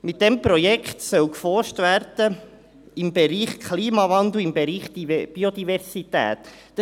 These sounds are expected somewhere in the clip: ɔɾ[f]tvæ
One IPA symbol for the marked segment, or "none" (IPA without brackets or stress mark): ʃ